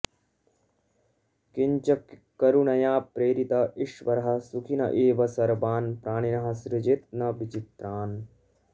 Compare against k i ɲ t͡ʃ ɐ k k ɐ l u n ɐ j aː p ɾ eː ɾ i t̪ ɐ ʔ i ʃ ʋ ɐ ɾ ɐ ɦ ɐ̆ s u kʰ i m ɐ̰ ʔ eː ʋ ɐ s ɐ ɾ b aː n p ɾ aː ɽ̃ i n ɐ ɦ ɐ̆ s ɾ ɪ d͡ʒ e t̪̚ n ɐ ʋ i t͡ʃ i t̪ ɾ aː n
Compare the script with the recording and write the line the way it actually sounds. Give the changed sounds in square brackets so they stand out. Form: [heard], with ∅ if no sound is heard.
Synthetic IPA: k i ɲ t͡ʃ ɐ k k ɐ [ɾ] u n ɐ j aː p ɾ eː ɾ i t̪ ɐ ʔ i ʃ ʋ ɐ ɾ ɐ ɦ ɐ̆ s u kʰ i [n] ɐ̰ ʔ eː ʋ ɐ s ɐ ɾ b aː n p ɾ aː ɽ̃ i n ɐ ɦ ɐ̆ s ɾ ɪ d͡ʒ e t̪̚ n ɐ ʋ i t͡ʃ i t̪ ɾ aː n